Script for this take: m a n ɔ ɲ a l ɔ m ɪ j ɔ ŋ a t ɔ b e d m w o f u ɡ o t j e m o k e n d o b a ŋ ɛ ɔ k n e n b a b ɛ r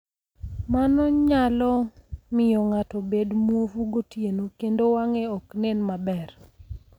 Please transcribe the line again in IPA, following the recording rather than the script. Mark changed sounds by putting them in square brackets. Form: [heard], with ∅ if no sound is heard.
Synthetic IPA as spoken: m a n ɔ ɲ a l ɔ m ɪ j ɔ ŋ a t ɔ b e d m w o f u ɡ o t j e [n] o k e n d o [w] a ŋ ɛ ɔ k n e n [m] a b ɛ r